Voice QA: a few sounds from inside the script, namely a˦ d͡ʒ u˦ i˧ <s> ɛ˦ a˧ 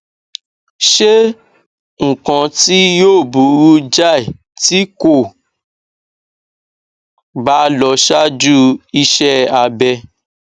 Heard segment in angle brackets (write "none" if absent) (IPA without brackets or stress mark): ʃ